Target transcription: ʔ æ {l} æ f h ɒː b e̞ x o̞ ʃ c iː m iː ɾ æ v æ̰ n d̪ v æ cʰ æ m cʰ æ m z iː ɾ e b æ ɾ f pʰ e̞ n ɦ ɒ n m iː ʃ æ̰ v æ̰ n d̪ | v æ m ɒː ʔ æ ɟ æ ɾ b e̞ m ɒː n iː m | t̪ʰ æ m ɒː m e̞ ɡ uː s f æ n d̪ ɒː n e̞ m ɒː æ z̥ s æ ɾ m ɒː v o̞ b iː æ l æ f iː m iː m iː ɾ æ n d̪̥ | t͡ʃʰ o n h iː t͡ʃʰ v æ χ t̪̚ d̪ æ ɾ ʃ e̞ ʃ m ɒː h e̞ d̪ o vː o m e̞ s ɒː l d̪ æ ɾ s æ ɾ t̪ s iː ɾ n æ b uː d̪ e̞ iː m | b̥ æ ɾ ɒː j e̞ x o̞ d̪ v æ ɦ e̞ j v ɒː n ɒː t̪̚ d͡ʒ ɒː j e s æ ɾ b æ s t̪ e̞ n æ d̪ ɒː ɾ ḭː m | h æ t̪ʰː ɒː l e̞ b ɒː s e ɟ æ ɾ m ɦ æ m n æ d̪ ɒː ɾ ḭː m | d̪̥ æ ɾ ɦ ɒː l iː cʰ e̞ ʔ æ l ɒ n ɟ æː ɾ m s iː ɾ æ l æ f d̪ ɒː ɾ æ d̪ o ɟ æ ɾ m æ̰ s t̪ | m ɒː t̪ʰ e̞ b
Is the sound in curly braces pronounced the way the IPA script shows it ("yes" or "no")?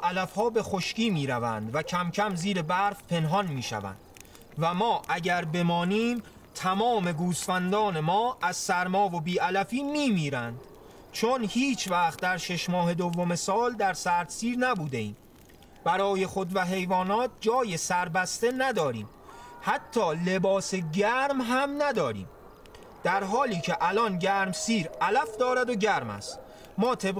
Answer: yes